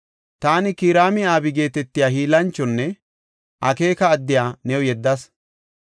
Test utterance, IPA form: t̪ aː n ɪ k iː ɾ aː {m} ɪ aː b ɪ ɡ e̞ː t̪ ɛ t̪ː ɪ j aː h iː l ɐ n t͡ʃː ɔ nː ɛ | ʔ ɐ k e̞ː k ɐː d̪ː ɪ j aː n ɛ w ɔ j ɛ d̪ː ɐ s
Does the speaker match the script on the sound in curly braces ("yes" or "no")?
yes